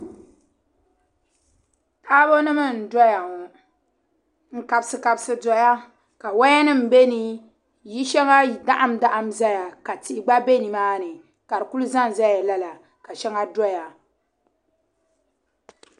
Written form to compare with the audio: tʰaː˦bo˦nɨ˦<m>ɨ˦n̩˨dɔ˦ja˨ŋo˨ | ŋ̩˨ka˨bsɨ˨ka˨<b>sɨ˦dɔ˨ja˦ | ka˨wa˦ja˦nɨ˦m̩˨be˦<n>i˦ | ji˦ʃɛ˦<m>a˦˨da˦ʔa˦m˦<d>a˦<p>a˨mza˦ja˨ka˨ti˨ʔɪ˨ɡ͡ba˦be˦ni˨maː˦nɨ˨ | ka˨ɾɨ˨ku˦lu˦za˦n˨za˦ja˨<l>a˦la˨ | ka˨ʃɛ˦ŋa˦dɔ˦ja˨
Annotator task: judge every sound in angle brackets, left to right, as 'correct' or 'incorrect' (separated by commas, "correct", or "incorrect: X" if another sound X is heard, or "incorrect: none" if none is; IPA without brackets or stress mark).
correct, correct, correct, incorrect: ŋ, correct, incorrect: ʔ, correct